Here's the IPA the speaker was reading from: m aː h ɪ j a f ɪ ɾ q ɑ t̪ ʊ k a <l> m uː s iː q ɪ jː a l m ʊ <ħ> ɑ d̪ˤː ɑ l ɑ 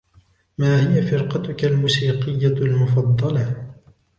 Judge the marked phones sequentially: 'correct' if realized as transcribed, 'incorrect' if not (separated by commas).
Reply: correct, incorrect